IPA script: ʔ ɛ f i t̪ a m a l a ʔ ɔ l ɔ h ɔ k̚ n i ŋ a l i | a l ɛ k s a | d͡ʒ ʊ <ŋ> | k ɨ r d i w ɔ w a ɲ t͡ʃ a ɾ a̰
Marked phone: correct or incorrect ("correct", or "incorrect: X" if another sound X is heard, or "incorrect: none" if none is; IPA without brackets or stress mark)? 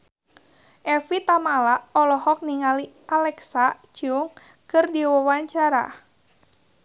correct